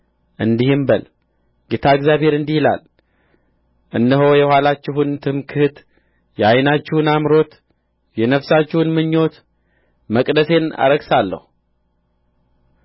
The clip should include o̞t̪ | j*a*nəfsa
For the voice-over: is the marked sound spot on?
no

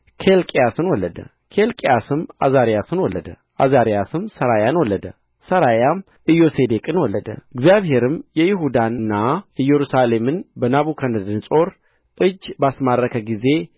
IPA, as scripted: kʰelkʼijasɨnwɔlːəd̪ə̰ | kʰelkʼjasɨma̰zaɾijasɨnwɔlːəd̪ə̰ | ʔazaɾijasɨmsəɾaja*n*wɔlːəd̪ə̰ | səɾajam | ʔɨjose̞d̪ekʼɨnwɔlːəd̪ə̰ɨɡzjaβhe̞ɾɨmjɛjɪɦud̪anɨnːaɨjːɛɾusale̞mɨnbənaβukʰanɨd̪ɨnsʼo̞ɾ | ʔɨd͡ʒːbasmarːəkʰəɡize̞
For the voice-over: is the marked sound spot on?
yes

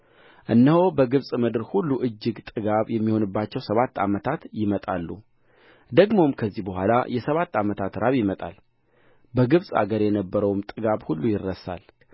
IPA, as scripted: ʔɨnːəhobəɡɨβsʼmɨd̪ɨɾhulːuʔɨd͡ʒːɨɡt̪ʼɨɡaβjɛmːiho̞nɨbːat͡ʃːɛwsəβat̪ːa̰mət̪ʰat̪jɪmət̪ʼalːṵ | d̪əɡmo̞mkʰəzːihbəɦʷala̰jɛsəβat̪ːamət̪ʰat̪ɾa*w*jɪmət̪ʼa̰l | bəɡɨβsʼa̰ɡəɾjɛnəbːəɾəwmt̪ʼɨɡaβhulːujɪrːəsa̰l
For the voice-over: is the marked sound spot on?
no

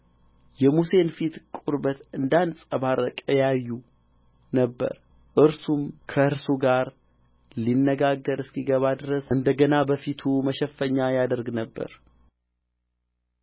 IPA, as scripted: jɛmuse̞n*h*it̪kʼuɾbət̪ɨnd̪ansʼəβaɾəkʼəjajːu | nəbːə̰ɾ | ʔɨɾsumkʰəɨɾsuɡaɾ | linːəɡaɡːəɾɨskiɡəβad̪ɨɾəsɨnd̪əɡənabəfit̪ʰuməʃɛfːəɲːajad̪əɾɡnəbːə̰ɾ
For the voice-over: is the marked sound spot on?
no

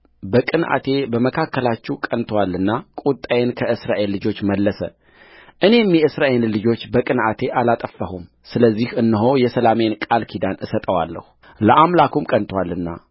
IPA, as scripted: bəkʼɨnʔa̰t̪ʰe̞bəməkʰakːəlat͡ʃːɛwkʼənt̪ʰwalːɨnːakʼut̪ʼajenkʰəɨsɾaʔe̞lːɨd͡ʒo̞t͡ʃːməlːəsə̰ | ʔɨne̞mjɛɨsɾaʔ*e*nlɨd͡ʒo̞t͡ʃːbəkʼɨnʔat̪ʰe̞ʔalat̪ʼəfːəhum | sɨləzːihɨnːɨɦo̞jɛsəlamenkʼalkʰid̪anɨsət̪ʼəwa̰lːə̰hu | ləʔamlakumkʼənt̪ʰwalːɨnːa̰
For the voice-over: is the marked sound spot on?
yes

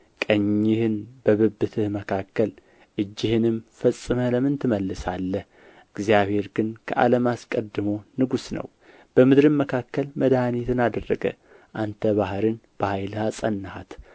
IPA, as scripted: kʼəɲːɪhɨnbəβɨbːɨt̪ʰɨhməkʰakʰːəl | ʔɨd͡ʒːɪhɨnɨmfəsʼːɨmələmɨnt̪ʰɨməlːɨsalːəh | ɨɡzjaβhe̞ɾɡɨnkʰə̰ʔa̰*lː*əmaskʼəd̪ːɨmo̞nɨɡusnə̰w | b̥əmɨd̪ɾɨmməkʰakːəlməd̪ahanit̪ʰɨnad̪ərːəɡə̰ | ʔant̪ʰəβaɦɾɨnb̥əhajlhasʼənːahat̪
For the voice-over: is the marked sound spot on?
no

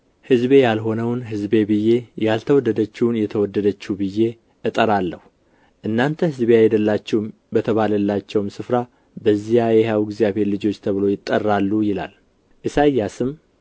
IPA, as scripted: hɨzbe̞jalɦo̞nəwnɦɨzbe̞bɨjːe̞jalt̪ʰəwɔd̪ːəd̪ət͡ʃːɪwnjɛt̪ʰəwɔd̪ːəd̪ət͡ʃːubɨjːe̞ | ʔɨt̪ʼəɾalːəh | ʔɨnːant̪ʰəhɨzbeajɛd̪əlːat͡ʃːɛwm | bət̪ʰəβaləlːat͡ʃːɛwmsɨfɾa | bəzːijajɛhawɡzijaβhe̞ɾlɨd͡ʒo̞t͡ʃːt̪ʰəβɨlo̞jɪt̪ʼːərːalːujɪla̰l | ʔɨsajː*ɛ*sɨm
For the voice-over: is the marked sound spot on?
no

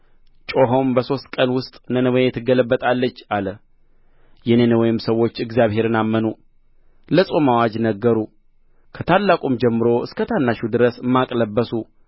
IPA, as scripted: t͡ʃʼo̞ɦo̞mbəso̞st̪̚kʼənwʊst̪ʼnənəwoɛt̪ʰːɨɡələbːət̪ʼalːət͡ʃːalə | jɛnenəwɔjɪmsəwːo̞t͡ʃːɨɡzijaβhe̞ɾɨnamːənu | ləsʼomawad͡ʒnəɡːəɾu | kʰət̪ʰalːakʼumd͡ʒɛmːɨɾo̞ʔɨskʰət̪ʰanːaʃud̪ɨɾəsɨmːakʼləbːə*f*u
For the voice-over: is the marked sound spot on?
no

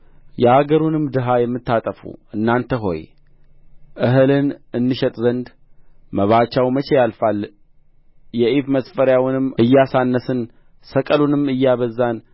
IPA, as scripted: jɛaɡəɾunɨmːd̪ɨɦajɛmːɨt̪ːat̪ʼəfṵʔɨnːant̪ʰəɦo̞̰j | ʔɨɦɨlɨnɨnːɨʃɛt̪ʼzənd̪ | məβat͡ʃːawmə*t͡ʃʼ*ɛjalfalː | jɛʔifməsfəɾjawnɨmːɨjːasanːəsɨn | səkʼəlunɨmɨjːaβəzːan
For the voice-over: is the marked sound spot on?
no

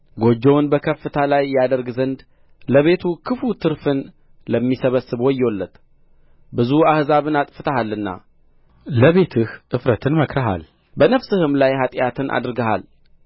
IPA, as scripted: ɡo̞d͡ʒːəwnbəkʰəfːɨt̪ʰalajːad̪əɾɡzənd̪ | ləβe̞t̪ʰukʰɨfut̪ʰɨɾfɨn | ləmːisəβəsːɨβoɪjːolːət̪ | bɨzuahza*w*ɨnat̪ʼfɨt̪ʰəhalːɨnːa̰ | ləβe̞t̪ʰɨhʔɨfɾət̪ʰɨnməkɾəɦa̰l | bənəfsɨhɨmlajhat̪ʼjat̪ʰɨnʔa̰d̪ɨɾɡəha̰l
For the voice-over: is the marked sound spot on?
no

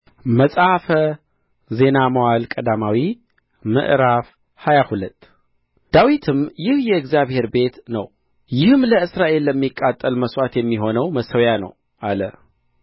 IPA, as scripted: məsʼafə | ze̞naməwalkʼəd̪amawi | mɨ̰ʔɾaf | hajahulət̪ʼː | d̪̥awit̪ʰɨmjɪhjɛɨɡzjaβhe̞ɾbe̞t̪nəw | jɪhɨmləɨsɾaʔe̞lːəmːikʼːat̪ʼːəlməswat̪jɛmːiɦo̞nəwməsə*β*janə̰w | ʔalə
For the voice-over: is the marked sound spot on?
no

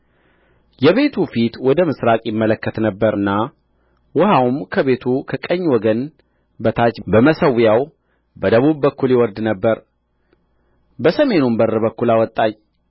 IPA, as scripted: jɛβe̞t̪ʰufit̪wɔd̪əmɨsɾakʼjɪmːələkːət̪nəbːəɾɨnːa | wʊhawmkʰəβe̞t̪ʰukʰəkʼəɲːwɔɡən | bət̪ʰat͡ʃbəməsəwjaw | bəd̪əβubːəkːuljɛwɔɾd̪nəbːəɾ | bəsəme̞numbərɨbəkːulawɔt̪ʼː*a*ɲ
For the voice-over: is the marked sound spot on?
yes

